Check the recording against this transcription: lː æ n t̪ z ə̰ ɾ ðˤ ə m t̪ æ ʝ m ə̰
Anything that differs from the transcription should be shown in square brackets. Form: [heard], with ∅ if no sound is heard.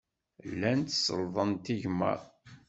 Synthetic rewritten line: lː æ n t̪ [s] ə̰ [l] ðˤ ə [n] t̪ [i] ʝ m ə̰